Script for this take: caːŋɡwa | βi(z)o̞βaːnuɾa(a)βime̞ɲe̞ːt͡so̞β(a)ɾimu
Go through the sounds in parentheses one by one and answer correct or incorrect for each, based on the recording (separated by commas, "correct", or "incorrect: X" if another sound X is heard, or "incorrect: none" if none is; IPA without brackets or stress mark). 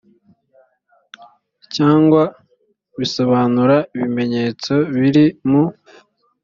incorrect: s, incorrect: i, incorrect: i